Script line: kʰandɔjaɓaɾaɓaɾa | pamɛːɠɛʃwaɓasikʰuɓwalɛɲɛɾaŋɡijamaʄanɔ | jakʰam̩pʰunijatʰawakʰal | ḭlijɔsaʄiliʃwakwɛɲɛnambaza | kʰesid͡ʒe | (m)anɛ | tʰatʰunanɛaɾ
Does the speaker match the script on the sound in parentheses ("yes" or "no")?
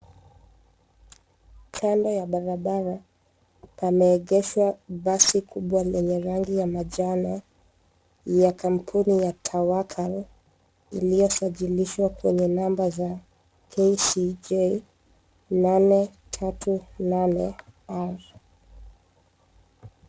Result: no